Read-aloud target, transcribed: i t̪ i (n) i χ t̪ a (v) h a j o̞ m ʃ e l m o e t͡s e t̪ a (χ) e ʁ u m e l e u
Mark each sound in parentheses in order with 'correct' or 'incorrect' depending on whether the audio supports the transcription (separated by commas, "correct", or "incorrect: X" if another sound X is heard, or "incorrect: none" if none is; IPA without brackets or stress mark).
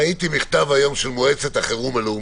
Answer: incorrect: m, correct, correct